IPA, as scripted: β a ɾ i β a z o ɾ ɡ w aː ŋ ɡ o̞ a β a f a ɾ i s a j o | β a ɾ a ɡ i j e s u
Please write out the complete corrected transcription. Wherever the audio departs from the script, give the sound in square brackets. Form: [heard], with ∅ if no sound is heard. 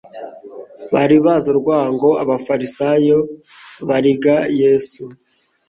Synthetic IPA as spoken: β a ɾ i β a z o ɾ ɡ w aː ŋ ɡ o̞ a β a f a ɾ i s a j o | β a ɾ [i] ɡ [a] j e s u